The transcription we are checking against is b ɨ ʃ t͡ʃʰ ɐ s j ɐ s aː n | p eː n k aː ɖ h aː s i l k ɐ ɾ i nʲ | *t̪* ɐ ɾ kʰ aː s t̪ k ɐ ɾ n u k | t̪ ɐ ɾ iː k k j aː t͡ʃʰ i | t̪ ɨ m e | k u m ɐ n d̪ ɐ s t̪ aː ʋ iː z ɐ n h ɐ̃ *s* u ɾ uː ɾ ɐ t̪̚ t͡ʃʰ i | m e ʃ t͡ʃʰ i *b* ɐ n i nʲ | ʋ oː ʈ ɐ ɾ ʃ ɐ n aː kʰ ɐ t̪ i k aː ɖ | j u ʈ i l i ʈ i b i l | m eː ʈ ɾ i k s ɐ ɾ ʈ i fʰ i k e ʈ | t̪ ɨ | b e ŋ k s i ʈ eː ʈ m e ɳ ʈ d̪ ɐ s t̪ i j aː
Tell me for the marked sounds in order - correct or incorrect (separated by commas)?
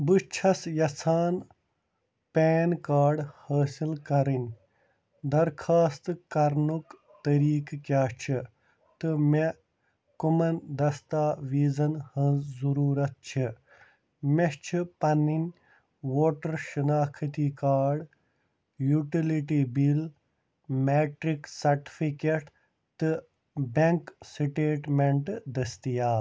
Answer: incorrect, incorrect, incorrect